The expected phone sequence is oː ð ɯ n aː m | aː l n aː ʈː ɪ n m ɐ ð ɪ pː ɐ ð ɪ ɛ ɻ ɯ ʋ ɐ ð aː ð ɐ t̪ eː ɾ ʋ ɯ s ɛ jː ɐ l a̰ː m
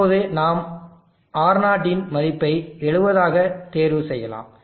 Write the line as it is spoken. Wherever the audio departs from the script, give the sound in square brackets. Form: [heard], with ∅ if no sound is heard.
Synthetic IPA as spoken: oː ð ɯ n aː m | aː [ɾ] n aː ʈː ɪ n m ɐ ð ɪ pː ɐ [∅] ɪ ɛ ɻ ɯ ʋ ɐ ð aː [ɣ] ɐ t̪ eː ɾ ʋ ɯ s ɛ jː ɐ l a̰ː m

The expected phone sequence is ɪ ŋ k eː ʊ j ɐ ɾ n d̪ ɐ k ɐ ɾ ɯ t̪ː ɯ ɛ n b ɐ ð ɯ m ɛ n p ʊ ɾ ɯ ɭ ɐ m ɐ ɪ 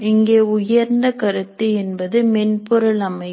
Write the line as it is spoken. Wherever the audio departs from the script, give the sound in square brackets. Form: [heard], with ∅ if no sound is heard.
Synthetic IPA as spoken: ɪ ŋ [ɡ] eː ʊ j ɐ ɾ n d̪ ɐ k ɐ ɾ ɯ t̪ː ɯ ɛ n b ɐ ð ɯ m ɛ n p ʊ ɾ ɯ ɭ ɐ m ɐ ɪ

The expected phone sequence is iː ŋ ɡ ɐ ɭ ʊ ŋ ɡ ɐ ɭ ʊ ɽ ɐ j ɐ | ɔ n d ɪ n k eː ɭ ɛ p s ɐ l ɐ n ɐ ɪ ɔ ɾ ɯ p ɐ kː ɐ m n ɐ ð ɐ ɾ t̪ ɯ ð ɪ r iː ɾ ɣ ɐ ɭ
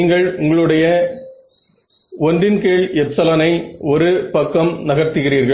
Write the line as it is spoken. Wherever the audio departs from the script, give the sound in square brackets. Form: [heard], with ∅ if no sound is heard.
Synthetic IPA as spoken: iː ŋ ɡ ɐ ɭ ʊ ŋ ɡ ɐ ɭ [ɯ] ɽ ɐ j ɐ | ɔ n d ɪ n k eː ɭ ɛ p s ɐ l ɐ n ɐ ɪ ɔ ɾ ɯ p ɐ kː ɐ m n ɐ [ɣ] ɐ ɾ t̪ ɯ [ɣ] ɪ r iː ɾ ɣ ɐ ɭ

